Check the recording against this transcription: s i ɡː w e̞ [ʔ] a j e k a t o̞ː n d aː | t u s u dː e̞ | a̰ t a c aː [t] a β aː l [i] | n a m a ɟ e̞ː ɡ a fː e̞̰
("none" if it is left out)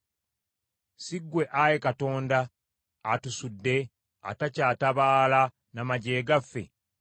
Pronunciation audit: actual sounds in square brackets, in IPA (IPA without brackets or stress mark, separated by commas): ʔ, t, a